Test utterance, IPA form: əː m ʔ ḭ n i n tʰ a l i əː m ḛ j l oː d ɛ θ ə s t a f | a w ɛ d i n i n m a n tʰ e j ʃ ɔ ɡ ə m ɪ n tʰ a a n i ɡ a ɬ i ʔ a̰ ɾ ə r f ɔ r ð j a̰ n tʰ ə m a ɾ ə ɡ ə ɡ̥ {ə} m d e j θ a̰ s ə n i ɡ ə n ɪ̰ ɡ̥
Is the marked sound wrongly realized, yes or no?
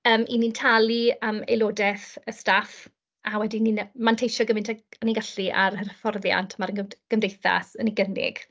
no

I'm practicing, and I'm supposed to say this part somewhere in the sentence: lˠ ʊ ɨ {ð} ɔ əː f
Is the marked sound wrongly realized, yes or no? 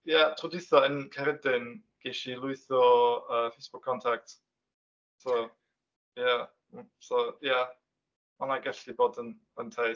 yes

